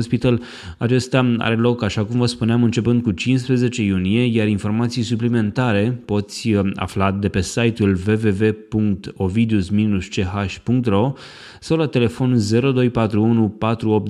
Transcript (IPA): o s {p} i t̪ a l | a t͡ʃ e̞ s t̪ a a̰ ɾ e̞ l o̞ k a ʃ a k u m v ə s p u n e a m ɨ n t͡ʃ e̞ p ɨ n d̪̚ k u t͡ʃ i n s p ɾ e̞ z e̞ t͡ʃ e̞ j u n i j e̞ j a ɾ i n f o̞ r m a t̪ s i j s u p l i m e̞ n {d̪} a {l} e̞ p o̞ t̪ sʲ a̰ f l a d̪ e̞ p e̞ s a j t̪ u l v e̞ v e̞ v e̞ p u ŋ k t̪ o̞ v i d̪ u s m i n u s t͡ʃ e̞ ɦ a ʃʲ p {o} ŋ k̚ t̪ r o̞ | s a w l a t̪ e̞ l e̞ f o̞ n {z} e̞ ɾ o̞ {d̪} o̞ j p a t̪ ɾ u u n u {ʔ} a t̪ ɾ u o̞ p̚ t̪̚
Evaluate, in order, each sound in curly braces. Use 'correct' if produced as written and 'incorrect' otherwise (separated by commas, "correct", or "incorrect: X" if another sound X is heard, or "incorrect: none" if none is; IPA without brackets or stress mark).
correct, incorrect: t̪, incorrect: ɾ, incorrect: u, correct, correct, incorrect: p